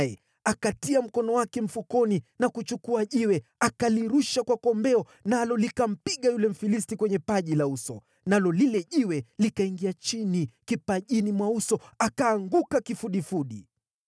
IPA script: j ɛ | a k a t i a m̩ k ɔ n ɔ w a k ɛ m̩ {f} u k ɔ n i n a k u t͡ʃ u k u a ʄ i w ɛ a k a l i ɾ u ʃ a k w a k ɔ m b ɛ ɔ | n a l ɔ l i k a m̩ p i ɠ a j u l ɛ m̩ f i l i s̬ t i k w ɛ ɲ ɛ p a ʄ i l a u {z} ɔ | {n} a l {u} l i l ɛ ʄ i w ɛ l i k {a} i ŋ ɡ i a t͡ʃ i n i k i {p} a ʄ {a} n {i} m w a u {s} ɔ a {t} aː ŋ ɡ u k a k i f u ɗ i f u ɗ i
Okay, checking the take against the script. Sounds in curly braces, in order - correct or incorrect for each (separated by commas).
correct, incorrect, correct, incorrect, correct, correct, incorrect, correct, correct, incorrect